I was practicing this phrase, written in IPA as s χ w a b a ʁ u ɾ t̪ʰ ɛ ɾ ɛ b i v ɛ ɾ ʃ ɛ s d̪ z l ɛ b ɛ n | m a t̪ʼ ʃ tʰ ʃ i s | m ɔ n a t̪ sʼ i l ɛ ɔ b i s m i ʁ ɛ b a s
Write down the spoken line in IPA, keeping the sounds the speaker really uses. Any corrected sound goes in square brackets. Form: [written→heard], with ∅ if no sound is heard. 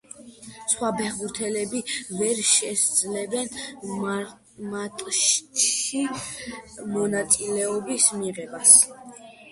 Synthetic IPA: s χ w a b [a→ɛ] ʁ u ɾ t̪ʰ ɛ [ɾ→l] ɛ b i v ɛ ɾ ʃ ɛ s d̪ z l ɛ b ɛ n | m a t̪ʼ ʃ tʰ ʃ i [s→∅] | m ɔ n a t̪ sʼ i l ɛ ɔ b i s m i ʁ ɛ b a s